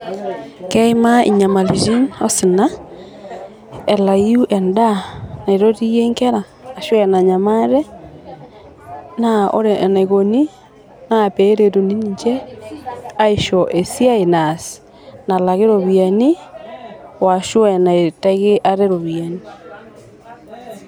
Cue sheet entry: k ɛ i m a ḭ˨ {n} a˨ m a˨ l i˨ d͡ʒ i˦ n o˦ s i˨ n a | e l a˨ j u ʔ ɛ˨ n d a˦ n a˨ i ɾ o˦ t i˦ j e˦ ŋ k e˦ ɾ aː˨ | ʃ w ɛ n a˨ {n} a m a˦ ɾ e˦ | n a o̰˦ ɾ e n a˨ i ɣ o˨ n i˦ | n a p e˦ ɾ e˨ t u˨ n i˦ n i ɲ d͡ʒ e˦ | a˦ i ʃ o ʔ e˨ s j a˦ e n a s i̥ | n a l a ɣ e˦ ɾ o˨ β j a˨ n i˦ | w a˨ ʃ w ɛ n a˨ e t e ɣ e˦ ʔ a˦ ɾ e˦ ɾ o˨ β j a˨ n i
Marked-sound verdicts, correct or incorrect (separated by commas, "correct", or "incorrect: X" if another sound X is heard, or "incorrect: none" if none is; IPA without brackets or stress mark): incorrect: ɲ, incorrect: ɲ